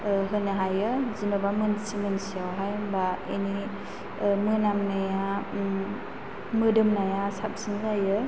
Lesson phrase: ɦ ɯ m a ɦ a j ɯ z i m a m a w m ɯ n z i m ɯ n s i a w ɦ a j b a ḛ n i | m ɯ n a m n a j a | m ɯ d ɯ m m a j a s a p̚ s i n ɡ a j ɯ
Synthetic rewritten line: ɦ ɯ n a ɦ a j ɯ z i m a b a m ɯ n s i m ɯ n s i a w ɦ a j b a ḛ n i | m ɯ n a m n a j a | m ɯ d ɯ m n a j a s a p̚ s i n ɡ a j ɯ